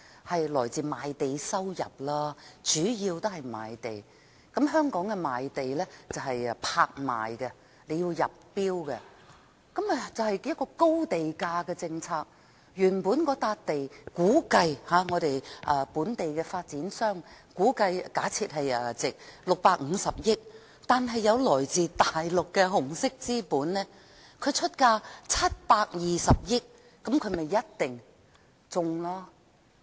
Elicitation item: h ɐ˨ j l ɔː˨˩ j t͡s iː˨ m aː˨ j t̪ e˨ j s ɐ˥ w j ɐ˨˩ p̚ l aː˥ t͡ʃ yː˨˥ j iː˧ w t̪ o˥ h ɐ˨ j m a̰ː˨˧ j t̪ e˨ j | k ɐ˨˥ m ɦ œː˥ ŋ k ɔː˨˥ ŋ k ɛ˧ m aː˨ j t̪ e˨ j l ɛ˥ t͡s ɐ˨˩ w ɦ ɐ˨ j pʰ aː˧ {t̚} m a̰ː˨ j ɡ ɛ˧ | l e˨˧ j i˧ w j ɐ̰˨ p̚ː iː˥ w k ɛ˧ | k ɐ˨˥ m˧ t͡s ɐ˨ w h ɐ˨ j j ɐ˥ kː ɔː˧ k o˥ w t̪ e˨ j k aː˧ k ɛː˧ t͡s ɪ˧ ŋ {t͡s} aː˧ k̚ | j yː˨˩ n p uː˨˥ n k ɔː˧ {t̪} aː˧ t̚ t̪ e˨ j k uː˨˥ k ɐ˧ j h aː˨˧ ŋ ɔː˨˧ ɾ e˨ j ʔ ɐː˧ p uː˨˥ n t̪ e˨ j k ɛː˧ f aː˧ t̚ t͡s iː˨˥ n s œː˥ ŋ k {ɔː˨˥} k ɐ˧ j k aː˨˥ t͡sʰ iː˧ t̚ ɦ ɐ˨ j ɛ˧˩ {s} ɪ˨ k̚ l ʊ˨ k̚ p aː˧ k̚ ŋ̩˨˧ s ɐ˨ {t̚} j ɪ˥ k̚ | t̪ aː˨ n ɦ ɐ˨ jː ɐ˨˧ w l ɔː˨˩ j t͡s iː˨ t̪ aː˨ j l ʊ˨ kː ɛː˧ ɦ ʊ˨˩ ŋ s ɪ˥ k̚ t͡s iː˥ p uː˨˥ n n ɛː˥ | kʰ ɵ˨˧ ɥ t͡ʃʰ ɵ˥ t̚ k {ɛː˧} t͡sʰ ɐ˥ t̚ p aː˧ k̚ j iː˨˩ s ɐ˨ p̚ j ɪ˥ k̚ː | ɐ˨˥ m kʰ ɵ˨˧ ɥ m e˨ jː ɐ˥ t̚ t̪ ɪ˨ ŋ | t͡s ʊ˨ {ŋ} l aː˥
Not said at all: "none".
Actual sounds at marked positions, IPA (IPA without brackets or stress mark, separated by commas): k̚, t͡sʰ, t̪, uː˨˥, t͡s, p̚, aː˧, ŋ